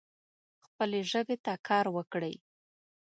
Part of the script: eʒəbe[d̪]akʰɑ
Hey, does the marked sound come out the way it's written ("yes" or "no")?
no